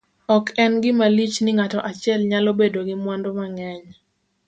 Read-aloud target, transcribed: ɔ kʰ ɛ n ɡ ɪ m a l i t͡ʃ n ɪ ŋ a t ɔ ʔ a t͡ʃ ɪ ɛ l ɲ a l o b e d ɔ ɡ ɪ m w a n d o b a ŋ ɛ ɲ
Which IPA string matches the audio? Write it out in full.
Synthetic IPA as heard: ɔ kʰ ɛ n ɡ ɪ m a l i t͡ʃ n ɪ ŋ a t ɔ ʔ a t͡ʃ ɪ ɛ l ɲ a l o b e d o ɡ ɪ m w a n d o m a ŋ ɛ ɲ